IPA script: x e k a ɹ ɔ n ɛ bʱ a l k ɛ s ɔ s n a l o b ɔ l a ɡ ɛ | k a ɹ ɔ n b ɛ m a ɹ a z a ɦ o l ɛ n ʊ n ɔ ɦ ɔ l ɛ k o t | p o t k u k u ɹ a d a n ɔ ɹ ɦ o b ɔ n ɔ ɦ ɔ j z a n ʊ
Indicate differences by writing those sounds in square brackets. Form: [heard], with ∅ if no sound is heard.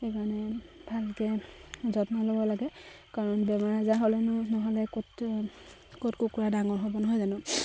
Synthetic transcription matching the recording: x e k a ɹ ɔ n ɛ bʱ a l k ɛ [z] ɔ [t] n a l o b ɔ l a ɡ ɛ | k a ɹ ɔ n b ɛ m a ɹ a z a ɦ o l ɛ n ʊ n ɔ ɦ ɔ l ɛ k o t | [k] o t k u k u ɹ a d a [ŋ] ɔ ɹ ɦ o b ɔ n ɔ ɦ ɔ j z a n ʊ